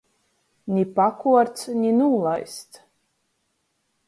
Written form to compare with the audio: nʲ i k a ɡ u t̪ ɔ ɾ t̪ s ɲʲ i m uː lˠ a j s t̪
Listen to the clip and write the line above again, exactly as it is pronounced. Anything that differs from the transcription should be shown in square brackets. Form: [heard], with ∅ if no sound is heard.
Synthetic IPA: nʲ i [p] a [k] u [∅] ɔ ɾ t̪ s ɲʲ i [n] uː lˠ a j s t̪